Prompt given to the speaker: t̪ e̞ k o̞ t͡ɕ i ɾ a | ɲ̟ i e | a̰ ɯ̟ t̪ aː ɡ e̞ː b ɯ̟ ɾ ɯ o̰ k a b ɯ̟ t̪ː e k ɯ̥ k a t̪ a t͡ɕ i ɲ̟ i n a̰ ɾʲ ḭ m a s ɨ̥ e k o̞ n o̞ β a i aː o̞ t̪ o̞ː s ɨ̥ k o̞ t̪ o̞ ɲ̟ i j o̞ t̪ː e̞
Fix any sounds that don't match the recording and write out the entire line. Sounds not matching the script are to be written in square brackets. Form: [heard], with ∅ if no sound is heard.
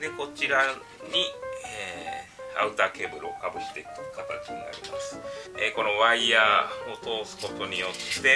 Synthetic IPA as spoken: [d̪] e̞ k o̞ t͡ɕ i ɾ a | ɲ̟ i e | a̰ ɯ̟ t̪ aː [k] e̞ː b ɯ̟ ɾ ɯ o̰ k a b ɯ̟ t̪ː e k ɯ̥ k a t̪ a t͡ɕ i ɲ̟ i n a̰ ɾʲ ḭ m a s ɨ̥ e k o̞ n o̞ β a i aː o̞ t̪ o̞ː s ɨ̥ k o̞ t̪ o̞ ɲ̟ i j o̞ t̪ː e̞

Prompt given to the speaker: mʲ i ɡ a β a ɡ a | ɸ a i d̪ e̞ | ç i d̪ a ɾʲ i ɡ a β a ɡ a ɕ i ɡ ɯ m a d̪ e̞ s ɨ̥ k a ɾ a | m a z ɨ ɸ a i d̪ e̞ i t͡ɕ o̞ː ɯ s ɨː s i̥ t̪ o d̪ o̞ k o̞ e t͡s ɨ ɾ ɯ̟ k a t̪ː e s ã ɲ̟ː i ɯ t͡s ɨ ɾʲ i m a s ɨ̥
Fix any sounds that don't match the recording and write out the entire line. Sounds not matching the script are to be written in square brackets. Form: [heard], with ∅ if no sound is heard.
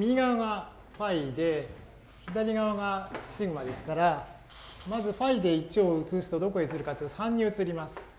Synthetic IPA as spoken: mʲ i ɡ a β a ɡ a | ɸ a i d̪ e̞ | ç i d̪ a ɾʲ i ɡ a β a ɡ a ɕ i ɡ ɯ m a d̪ e̞ s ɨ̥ k a ɾ a | m a z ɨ ɸ a i d̪ e̞ i t͡ɕ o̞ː ɯ [t͡s] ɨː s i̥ t̪ o d̪ o̞ k o̞ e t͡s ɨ ɾ ɯ̟ k a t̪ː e s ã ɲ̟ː i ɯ t͡s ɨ ɾʲ i m a s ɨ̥

